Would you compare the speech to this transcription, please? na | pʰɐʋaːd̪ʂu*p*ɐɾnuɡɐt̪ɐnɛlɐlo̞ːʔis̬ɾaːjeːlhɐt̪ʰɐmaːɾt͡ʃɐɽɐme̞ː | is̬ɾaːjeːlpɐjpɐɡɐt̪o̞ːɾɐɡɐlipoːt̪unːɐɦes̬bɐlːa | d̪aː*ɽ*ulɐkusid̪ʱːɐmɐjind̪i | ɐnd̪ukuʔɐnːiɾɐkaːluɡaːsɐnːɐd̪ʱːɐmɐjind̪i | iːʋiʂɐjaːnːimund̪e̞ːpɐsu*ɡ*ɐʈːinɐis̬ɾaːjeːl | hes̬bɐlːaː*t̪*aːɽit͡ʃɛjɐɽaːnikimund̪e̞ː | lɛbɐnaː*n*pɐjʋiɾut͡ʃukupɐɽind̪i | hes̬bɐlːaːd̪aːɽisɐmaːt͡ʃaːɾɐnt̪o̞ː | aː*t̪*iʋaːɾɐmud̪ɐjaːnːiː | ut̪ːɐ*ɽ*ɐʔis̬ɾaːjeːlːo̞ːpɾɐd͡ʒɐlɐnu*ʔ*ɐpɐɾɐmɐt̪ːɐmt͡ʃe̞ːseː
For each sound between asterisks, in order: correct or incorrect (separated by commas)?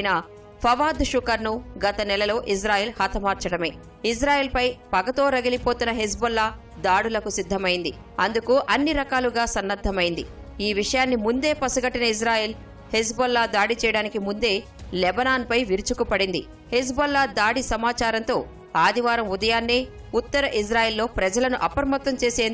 incorrect, correct, correct, incorrect, correct, incorrect, incorrect, correct